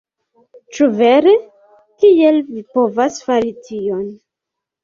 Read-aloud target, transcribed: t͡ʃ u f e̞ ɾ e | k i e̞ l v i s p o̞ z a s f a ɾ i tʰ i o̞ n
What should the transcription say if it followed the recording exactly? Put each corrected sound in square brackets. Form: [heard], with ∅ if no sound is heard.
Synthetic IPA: t͡ʃ u [v] e̞ ɾ e | k i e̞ l v i [∅] p o̞ [v] a s f a ɾ i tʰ i o̞ n